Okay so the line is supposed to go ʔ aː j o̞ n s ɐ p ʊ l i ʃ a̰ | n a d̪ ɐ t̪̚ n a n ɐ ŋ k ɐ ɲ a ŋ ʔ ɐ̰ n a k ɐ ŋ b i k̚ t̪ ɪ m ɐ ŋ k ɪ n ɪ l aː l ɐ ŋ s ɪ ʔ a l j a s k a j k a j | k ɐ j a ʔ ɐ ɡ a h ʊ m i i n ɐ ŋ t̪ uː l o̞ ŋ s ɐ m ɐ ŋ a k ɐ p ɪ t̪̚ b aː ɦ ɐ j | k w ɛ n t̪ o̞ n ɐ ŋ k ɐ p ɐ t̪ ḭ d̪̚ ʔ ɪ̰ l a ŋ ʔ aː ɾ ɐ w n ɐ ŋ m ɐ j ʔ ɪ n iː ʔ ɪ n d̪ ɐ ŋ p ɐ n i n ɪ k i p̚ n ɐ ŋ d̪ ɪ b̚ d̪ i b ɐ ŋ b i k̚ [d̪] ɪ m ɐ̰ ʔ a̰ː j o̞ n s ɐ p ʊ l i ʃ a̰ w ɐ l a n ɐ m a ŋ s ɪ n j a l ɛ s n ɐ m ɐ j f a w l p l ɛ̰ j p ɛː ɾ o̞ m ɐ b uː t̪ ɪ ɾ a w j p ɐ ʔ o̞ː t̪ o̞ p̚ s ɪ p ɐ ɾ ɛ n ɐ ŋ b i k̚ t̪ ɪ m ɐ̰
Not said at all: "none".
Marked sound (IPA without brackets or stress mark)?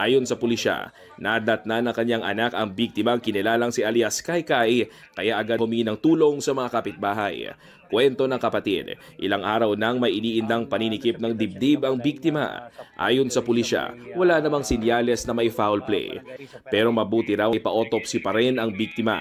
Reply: t̪